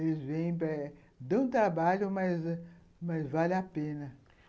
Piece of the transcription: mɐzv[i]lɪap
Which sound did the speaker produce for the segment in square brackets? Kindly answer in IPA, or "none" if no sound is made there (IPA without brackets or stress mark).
a